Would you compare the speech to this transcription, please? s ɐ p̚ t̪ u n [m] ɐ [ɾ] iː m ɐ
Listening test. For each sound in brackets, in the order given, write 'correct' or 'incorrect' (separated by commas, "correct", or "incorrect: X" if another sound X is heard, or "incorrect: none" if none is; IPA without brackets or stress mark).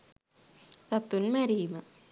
correct, correct